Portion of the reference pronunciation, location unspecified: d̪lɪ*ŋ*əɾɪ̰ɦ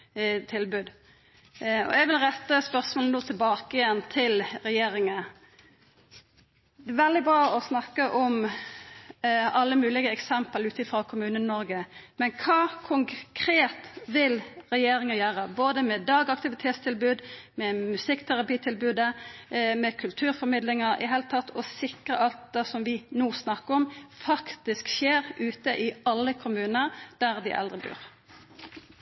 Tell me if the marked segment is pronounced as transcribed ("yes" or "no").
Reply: yes